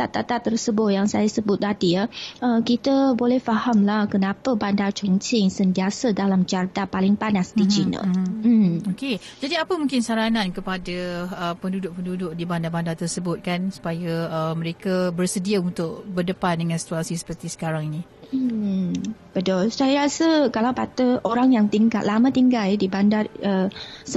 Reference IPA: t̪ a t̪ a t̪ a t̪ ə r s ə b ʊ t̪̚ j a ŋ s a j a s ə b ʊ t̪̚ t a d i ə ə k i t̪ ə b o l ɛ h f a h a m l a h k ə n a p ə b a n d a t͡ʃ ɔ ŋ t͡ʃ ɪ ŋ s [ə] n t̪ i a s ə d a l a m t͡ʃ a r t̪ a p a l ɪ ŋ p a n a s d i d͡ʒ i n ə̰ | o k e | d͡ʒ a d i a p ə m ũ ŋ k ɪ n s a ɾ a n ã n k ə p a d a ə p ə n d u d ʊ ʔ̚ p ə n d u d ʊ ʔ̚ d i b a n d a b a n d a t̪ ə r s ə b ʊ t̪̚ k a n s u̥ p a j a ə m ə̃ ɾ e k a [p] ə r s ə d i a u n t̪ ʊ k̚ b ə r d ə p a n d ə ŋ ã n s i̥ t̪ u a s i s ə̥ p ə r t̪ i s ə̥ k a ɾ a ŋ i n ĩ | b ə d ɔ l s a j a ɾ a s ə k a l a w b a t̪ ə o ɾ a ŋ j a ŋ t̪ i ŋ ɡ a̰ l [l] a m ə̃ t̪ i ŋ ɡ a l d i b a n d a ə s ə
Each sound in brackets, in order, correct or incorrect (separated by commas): correct, incorrect, correct